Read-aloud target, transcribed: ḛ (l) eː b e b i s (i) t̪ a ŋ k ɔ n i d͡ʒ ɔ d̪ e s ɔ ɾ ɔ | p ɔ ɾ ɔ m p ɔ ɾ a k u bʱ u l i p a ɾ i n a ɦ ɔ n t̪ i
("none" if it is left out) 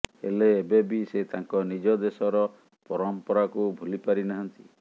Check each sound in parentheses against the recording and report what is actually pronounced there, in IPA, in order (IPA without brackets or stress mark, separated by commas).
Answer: l, e